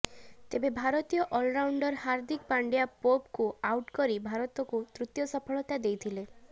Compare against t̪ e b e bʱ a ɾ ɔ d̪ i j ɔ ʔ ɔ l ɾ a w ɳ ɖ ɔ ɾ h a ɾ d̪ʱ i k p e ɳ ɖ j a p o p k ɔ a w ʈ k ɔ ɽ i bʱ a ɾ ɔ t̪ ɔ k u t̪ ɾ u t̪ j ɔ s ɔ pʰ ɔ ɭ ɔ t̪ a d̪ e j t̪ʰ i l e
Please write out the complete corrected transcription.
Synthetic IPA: t̪ e b e bʱ a ɾ ɔ t̪ i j ɔ ʔ ɔ l ɾ a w ɳ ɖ ɔ ɾ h a ɾ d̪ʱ i k p a ɳ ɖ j a p o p k u a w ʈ k ɔ ɾ i bʱ a ɾ ɔ t̪ ɔ k u t̪ ɾ u t̪ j ɔ s ɔ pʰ ɔ ɭ ɔ t̪ a d̪ e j t̪ʰ i l e